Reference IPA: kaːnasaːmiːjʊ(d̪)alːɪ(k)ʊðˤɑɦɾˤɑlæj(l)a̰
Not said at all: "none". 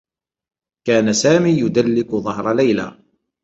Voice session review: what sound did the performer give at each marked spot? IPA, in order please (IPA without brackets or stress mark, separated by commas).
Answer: d̪, k, l